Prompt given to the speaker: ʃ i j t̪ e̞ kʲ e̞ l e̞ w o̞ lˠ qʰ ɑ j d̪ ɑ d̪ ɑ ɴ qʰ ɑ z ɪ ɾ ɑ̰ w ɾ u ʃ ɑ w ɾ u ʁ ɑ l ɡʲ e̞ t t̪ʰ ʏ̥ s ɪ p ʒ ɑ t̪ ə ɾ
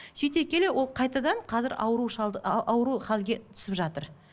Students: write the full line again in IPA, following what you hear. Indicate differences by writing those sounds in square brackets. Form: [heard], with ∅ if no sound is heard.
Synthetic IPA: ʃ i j t̪ e̞ kʲ e̞ l e̞ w o̞ lˠ qʰ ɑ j [t̪] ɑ d̪ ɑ ɴ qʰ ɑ z ɪ ɾ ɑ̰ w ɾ u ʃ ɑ w ɾ u [χ] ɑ l ɡʲ e̞ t t̪ʰ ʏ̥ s ɪ p ʒ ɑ t̪ ə ɾ